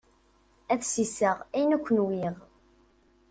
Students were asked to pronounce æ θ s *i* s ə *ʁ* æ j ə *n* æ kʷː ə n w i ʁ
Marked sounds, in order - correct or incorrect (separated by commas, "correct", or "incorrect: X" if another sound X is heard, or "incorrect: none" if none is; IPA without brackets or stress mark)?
correct, correct, correct